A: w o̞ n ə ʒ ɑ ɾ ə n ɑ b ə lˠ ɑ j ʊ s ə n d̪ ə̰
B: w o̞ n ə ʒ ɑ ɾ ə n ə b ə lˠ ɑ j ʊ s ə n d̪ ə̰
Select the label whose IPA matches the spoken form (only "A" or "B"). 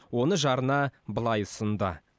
A